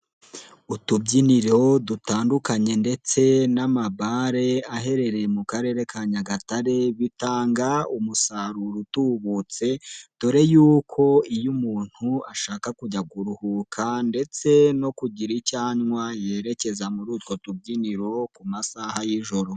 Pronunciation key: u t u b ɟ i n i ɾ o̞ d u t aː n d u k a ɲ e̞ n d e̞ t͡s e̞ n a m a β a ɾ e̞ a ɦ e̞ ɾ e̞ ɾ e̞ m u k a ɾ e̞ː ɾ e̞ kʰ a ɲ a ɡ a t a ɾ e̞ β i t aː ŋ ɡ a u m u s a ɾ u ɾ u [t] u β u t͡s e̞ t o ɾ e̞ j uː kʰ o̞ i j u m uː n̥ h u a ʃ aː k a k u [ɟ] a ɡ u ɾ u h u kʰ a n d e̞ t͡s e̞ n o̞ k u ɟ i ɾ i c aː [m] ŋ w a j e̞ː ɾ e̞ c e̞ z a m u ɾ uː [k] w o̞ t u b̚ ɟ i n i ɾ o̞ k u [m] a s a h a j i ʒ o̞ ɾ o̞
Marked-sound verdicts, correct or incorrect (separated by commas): correct, correct, incorrect, incorrect, correct